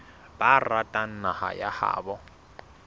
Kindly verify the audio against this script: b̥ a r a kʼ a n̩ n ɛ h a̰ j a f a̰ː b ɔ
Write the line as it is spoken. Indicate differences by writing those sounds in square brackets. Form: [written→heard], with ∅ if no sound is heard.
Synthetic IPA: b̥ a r a [kʼ→tʼ] a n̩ n [ɛ→a] h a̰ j a [f→h] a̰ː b ɔ